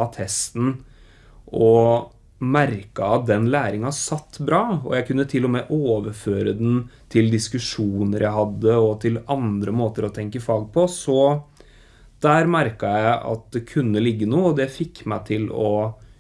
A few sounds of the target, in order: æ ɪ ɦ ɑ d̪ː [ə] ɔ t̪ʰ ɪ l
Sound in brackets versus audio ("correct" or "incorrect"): correct